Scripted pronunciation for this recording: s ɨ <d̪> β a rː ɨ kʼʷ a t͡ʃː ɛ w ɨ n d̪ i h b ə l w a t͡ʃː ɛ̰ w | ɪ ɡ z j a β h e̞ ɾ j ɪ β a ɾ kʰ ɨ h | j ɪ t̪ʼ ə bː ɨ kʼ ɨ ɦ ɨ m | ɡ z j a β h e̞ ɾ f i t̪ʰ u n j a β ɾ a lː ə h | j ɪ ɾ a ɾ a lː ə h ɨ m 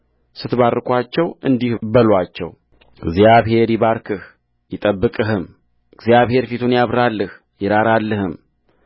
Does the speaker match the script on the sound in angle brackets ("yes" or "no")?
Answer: no